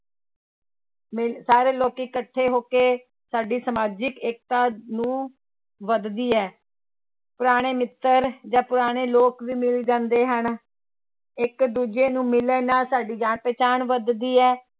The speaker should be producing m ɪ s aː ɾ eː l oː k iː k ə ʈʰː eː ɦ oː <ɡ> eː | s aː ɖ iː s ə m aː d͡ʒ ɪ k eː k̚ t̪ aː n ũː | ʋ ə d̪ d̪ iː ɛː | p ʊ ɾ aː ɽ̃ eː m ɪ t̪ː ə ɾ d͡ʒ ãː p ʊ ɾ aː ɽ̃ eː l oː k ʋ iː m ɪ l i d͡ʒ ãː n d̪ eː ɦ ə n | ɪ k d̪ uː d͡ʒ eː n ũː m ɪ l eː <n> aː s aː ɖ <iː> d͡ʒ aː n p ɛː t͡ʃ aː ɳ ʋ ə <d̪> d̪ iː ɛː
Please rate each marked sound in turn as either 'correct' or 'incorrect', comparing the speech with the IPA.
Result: incorrect, correct, correct, correct

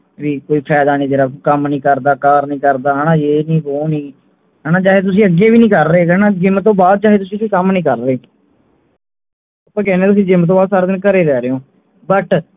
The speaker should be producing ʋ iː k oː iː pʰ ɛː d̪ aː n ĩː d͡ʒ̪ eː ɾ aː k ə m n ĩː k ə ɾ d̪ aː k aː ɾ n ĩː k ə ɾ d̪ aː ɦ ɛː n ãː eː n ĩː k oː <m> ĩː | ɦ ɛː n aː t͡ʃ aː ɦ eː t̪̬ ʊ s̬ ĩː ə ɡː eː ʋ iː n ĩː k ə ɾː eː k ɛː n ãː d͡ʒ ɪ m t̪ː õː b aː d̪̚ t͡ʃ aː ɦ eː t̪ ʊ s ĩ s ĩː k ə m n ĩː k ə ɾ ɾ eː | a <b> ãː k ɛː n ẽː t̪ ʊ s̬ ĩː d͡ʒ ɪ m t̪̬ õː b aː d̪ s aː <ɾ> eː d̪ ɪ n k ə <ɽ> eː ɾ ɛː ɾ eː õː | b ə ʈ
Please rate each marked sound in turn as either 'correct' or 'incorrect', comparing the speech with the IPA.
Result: incorrect, incorrect, correct, incorrect

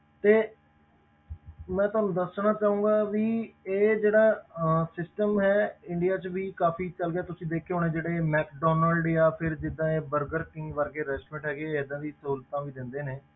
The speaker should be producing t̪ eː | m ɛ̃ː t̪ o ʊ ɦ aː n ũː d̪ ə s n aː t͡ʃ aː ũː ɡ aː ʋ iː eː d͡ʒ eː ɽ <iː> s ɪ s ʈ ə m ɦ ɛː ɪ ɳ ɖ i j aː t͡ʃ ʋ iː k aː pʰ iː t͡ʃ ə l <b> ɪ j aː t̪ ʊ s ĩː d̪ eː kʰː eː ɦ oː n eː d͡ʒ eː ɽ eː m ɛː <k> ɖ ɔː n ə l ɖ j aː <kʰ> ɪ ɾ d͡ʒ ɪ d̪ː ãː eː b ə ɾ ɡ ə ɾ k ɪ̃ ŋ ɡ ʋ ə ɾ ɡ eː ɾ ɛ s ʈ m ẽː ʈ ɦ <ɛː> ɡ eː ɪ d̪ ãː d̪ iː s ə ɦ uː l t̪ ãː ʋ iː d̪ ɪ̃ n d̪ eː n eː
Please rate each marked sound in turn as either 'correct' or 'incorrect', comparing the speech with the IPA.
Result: incorrect, incorrect, correct, incorrect, correct

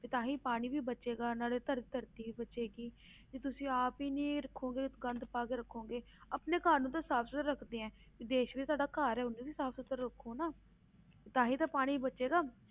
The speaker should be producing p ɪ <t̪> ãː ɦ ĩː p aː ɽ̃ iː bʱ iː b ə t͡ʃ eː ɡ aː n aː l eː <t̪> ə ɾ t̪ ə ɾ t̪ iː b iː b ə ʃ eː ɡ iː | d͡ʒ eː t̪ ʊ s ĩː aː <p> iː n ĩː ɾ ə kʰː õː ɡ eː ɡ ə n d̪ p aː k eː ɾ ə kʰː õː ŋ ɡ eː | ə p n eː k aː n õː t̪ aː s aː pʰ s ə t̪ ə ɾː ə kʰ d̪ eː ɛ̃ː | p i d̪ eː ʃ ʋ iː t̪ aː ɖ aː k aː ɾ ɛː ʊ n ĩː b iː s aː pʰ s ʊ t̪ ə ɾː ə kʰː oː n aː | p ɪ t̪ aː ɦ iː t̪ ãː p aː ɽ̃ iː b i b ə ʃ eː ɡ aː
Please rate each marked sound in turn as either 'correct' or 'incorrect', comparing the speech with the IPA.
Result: correct, correct, correct

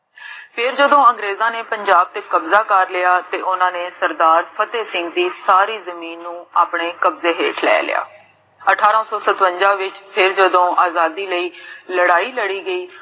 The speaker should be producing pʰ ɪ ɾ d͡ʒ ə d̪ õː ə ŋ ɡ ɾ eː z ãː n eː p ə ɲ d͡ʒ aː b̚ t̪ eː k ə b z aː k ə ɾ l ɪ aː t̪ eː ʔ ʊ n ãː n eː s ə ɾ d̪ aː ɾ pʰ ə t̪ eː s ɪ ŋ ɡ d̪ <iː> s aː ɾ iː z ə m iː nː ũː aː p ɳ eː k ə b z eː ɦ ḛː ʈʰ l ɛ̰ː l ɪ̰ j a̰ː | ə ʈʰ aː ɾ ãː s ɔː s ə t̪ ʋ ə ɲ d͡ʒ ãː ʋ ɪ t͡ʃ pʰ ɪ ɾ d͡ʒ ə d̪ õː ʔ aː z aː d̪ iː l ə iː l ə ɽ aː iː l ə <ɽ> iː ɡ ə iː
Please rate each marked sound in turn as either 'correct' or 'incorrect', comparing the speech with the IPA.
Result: correct, correct

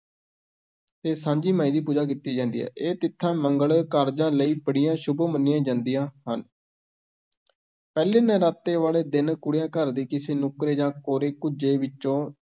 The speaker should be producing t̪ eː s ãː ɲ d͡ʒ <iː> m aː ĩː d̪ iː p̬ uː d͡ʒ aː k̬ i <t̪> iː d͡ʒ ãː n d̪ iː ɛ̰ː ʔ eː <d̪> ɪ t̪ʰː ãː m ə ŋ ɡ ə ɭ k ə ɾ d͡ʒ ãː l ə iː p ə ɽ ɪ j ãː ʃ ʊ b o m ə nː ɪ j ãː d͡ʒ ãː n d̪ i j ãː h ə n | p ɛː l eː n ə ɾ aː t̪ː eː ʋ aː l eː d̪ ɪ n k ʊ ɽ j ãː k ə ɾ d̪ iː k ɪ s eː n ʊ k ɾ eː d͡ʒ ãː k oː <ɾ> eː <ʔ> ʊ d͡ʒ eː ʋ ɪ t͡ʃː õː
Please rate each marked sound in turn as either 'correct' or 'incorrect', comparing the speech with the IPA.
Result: correct, correct, incorrect, correct, incorrect

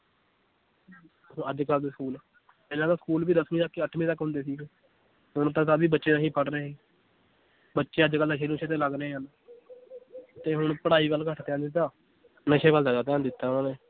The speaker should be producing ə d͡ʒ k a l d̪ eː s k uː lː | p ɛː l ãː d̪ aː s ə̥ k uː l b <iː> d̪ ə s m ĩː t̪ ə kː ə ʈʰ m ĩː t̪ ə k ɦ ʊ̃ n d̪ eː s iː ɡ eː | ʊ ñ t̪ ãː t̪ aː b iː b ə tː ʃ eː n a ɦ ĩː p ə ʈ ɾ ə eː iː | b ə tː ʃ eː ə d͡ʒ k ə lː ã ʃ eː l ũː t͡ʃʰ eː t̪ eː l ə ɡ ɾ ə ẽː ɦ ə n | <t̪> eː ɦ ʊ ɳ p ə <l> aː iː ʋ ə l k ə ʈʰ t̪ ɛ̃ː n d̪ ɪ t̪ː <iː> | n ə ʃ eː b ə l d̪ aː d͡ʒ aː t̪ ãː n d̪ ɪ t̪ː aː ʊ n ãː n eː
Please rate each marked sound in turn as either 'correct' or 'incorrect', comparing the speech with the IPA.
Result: correct, correct, incorrect, incorrect

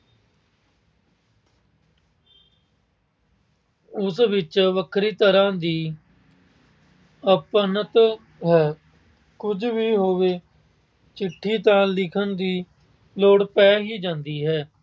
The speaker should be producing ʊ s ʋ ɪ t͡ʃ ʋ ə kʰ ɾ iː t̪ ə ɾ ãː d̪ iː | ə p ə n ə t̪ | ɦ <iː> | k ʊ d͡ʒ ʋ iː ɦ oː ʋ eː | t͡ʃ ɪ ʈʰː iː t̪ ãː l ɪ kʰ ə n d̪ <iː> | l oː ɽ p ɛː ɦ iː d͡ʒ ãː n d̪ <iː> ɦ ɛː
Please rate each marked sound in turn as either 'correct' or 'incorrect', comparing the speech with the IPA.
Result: incorrect, correct, correct

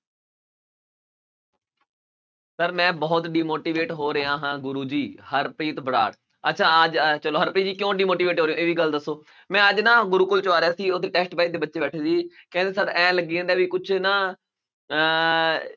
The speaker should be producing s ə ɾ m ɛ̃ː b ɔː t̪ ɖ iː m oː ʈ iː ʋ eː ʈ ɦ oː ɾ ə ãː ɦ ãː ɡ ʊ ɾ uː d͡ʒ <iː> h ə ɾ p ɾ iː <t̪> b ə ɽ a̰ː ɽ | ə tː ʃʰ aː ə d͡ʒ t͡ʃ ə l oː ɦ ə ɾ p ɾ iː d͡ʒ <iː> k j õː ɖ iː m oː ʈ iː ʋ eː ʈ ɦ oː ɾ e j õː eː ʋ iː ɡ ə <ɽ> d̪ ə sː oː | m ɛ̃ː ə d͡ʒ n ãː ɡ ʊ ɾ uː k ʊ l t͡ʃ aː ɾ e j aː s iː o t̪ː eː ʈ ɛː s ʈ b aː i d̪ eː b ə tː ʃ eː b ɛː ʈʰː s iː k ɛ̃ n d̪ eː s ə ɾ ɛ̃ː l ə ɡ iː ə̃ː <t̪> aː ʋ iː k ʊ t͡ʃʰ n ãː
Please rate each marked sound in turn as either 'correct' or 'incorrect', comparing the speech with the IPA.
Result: correct, correct, correct, incorrect, incorrect

